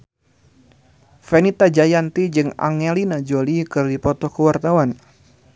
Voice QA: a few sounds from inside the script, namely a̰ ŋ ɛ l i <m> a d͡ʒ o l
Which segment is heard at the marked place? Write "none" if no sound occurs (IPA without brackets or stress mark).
n